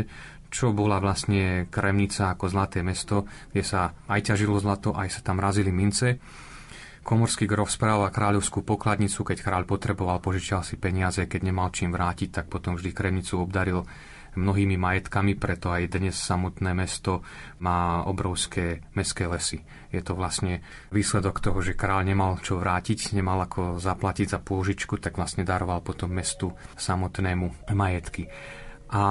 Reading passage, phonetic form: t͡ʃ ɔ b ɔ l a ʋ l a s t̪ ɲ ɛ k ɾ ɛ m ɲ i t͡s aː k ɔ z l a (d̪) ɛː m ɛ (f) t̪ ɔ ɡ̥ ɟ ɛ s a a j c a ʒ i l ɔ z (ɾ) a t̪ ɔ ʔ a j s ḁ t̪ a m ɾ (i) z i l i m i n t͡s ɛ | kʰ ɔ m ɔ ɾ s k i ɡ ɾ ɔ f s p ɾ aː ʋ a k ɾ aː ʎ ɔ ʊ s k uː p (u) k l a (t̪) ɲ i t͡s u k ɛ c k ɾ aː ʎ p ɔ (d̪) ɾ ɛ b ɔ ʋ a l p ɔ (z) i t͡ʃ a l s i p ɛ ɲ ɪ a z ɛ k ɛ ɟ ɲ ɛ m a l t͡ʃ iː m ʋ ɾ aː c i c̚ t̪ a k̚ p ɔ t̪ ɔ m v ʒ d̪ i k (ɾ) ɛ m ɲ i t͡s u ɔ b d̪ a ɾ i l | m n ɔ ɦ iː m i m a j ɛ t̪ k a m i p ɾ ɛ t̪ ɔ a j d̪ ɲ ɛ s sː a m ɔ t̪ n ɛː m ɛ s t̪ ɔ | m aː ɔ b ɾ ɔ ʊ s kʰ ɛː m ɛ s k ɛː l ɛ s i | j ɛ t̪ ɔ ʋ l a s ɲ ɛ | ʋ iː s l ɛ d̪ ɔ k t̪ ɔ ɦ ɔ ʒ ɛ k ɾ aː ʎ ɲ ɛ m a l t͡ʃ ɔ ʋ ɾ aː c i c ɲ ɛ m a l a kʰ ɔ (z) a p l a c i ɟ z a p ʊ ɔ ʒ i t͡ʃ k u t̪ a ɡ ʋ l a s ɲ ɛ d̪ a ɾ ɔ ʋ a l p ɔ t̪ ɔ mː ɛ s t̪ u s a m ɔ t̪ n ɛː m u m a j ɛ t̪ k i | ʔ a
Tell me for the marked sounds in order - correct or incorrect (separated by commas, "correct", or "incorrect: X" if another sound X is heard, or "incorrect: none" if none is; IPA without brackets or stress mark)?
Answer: incorrect: t̪, incorrect: s, incorrect: l, incorrect: a, incorrect: ɔ, incorrect: d̪, incorrect: t̪, incorrect: ʒ, correct, correct